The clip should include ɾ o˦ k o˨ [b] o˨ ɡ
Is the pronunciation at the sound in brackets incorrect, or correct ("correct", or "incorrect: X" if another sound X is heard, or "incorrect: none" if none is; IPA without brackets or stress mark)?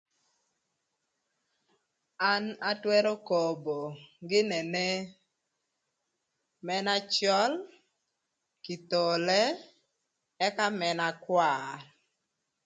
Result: correct